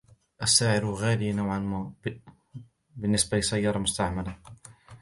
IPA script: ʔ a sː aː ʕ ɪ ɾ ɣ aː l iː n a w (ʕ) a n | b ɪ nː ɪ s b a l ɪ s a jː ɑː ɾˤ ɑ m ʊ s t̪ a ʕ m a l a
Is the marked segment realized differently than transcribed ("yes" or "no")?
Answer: no